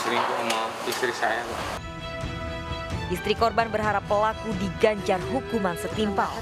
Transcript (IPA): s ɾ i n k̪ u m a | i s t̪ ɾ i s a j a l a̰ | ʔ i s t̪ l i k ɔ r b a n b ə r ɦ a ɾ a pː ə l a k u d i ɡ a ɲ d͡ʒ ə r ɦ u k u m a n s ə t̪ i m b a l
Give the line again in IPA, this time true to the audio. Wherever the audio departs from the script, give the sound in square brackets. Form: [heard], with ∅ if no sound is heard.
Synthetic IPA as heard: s ɾ i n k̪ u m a | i s t̪ ɾ i s a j a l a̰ | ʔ i s t̪ [ɾ] i k ɔ r b a n b ə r ɦ a ɾ a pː ə l a k u d i ɡ a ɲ d͡ʒ [a] r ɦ u k u m a n s ə t̪ i m [p] a l